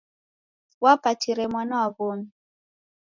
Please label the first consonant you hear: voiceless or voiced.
voiced